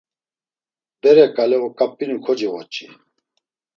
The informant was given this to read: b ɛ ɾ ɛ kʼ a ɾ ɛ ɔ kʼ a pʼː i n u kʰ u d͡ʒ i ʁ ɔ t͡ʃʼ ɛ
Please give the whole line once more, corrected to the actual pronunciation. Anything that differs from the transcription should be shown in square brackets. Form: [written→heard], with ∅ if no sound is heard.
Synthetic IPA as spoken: b ɛ ɾ ɛ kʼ a [ɾ→l] ɛ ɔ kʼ a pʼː i n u kʰ [u→ɔ] d͡ʒ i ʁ ɔ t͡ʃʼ [ɛ→i]